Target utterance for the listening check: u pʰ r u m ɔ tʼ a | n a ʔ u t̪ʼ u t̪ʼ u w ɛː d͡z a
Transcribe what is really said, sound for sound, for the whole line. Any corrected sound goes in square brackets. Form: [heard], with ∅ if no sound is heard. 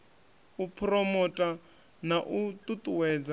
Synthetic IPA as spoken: u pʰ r [ɔ] m ɔ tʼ a | n a ʔ u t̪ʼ u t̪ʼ u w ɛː d͡z a